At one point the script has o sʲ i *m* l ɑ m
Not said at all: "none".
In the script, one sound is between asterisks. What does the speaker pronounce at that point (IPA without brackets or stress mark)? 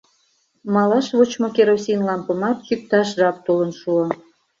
n